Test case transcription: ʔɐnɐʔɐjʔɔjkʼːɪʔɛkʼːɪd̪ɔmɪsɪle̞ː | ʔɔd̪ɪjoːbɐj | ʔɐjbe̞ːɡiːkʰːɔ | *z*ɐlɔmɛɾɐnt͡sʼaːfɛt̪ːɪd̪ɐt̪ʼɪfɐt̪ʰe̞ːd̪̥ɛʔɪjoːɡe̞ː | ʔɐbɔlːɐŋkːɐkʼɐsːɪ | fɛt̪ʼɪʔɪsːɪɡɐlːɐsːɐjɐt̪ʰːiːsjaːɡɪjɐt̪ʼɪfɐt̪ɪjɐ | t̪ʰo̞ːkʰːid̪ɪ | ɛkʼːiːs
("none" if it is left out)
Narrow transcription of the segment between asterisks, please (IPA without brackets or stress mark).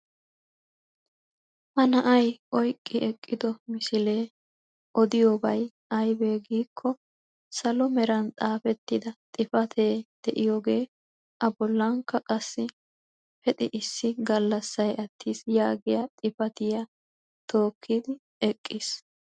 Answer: s